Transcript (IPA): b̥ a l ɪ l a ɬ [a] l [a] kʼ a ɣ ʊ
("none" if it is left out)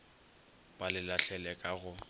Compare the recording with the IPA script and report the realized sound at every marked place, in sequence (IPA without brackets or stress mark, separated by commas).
ɛ, ɛ